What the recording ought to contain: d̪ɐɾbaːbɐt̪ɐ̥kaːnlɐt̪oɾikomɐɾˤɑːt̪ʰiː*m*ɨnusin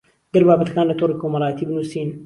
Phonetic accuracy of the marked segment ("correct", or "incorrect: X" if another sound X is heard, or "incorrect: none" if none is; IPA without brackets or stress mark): incorrect: b